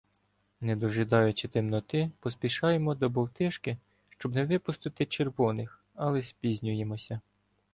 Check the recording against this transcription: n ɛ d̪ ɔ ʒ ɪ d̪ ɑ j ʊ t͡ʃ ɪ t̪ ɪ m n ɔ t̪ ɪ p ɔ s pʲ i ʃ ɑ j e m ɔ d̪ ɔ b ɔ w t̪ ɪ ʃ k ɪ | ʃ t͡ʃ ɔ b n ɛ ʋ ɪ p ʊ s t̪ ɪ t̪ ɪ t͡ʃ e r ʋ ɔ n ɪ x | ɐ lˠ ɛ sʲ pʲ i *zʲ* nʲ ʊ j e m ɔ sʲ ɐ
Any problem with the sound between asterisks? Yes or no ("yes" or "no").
no